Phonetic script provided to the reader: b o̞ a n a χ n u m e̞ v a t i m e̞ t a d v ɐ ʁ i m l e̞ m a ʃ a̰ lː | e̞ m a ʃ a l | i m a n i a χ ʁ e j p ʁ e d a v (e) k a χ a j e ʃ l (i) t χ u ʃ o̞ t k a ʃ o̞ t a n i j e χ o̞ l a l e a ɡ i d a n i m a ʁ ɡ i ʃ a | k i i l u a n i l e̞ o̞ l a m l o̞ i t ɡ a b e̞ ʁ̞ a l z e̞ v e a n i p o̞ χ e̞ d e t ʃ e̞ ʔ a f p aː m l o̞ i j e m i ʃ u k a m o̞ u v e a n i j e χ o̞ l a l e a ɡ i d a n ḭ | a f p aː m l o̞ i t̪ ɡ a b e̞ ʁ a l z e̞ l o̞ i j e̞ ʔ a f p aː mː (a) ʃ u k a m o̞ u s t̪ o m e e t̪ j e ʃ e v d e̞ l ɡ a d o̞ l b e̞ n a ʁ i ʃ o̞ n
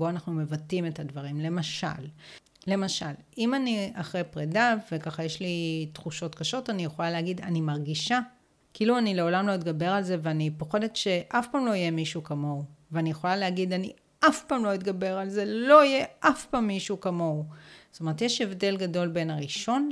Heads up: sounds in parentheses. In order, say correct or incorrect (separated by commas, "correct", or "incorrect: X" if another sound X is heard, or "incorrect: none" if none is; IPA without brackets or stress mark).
correct, correct, incorrect: i